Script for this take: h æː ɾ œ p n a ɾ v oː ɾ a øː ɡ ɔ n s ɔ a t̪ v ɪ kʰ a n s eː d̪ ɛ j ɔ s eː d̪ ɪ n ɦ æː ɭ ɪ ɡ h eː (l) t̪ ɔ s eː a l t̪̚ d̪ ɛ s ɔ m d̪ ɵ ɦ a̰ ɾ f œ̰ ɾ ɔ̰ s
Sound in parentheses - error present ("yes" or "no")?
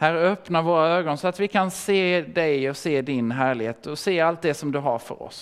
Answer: yes